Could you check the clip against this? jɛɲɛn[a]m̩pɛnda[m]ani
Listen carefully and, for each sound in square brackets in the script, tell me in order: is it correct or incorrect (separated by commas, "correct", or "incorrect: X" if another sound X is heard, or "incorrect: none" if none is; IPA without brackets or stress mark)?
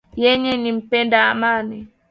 incorrect: i, correct